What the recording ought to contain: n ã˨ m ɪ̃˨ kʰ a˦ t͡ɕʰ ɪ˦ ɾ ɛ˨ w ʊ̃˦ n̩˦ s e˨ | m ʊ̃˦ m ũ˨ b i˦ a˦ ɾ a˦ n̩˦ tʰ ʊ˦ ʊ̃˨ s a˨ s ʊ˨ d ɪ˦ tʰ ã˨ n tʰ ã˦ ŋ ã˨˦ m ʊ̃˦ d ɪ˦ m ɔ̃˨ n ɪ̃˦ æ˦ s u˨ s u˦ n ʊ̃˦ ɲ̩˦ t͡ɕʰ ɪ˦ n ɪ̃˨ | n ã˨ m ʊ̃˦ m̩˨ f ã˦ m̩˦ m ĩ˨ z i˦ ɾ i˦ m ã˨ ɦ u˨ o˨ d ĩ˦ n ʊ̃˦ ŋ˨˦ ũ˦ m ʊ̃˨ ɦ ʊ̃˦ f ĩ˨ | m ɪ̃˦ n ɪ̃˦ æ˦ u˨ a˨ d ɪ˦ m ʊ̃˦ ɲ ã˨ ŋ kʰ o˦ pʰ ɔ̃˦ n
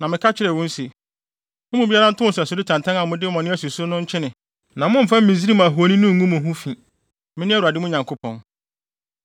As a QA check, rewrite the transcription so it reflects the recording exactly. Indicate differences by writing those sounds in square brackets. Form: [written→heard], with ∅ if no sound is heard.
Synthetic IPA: n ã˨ m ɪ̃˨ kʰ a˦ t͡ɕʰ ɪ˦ ɾ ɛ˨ w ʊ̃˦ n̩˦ s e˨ | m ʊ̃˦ m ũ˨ b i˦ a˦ ɾ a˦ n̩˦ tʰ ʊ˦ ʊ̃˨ s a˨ s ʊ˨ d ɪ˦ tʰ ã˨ n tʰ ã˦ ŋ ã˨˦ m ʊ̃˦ d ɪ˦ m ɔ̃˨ n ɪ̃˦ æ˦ s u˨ s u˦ n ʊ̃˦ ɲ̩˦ t͡ɕʰ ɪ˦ n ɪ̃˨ | n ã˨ m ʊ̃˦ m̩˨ f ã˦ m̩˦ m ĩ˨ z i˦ ɾ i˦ m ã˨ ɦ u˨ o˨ [d→n] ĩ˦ n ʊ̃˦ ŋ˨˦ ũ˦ m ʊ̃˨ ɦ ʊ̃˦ f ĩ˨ | m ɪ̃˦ n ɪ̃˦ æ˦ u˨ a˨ d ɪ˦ m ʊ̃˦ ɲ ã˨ ŋ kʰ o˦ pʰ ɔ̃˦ n